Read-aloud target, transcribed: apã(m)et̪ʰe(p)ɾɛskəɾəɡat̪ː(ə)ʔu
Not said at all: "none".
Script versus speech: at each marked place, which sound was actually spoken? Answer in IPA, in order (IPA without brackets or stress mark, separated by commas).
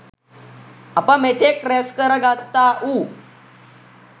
m, k, a